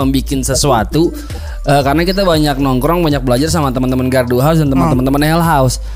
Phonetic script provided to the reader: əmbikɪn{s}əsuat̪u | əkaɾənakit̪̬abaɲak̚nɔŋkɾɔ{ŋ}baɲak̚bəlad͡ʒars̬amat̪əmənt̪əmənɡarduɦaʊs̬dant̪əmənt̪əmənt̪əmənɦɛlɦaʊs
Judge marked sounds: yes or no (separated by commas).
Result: yes, yes